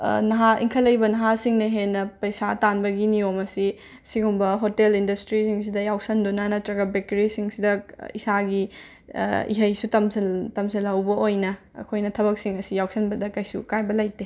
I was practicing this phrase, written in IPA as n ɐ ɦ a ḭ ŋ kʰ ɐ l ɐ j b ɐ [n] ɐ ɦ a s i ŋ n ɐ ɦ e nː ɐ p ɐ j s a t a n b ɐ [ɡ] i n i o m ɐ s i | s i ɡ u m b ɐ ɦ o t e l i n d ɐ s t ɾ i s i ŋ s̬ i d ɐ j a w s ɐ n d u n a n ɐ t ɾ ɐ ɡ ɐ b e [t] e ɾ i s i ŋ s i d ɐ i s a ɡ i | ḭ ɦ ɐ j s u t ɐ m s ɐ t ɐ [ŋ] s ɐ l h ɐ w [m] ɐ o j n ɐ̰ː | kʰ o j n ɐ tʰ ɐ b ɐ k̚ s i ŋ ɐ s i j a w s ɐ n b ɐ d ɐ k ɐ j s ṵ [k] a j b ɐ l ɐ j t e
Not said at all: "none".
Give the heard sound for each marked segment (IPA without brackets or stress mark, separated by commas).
n, ɡ, k, m, b, k